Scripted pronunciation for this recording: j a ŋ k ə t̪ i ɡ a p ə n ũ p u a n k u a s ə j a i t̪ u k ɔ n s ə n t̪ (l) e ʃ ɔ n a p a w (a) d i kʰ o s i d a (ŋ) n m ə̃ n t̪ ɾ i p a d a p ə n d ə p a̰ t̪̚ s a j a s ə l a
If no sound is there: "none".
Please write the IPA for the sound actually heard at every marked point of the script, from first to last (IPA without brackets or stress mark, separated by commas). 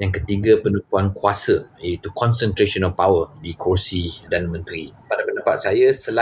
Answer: ɾ, ə, none